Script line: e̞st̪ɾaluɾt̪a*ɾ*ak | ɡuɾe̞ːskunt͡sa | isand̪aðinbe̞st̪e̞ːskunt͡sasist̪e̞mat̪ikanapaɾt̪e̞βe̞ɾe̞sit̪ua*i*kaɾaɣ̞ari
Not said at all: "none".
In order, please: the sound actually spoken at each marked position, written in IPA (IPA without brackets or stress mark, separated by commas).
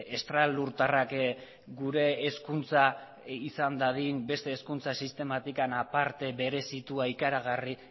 r, i